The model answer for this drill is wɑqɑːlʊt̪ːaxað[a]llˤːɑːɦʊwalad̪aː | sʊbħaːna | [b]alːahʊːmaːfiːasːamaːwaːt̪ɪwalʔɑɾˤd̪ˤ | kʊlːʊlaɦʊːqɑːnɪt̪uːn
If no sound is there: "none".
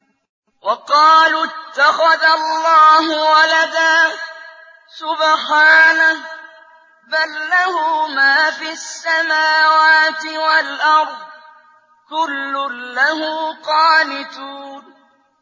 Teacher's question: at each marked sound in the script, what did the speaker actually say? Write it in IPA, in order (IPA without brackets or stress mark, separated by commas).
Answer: a, b